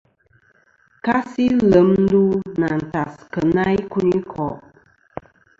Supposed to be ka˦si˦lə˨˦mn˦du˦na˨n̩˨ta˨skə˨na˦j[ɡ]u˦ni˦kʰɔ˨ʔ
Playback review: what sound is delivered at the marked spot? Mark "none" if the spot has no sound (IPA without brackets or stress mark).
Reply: k